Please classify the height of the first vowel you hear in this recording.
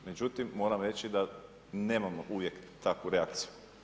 mid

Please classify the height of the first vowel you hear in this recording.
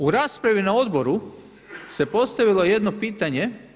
high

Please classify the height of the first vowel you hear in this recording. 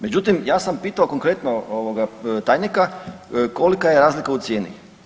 mid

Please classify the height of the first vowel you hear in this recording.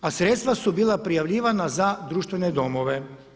low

